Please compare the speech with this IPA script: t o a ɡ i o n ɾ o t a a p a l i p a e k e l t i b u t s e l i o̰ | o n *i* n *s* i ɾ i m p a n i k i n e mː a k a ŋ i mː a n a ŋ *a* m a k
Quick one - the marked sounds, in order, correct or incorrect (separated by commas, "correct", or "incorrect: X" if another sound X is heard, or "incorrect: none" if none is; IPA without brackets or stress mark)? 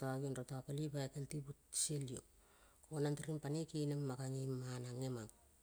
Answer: incorrect: a, incorrect: t, incorrect: e